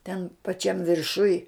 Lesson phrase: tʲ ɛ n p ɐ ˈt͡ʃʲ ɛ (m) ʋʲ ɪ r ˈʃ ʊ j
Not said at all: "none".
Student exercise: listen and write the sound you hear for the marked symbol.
m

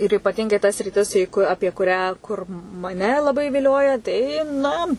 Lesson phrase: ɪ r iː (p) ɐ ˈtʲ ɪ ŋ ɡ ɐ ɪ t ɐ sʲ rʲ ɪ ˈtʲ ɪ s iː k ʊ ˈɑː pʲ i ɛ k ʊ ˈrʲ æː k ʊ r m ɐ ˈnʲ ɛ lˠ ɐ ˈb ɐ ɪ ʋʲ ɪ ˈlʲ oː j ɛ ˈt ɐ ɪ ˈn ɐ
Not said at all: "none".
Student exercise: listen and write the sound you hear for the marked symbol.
p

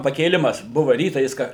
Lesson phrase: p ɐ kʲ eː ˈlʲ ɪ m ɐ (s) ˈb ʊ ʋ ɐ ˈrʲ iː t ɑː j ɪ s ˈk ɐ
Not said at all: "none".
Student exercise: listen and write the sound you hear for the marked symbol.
s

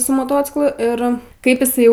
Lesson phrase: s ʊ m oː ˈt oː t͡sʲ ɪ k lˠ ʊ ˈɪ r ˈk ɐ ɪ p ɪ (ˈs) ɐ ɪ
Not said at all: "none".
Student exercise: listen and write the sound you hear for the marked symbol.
s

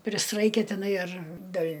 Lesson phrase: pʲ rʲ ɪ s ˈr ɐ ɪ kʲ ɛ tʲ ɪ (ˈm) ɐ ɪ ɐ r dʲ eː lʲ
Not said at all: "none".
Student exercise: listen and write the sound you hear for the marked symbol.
n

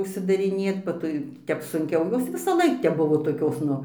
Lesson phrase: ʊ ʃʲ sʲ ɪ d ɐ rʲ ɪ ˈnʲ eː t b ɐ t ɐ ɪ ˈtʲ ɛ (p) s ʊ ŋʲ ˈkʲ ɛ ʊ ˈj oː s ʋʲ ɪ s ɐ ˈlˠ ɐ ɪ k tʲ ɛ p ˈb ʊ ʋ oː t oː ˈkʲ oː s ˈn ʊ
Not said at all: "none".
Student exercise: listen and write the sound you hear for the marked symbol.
p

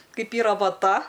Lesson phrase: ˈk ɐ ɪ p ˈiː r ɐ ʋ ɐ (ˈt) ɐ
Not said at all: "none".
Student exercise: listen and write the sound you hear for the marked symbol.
t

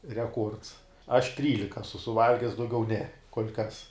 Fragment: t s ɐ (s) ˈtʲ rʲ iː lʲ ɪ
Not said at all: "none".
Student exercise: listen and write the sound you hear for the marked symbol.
ʃ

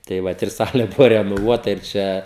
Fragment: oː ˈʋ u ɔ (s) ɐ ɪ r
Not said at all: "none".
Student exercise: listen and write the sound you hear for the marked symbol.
t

